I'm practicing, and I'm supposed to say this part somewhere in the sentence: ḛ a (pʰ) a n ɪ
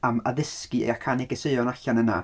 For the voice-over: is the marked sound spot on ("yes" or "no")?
no